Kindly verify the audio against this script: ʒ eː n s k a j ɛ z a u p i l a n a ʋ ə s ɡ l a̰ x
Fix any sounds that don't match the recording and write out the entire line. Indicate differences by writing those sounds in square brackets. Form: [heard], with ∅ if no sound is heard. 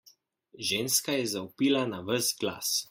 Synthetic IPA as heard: ʒ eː n s k a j ɛ z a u p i l a n a ʋ ə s ɡ l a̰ [s]